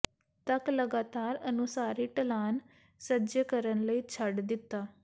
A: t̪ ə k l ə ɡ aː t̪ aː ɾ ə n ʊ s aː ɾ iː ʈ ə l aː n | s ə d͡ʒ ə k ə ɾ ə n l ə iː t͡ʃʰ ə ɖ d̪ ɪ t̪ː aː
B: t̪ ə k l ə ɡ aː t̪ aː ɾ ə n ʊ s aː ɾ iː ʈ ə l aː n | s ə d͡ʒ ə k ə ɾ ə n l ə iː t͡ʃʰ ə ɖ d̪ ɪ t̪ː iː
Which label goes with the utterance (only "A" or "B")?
A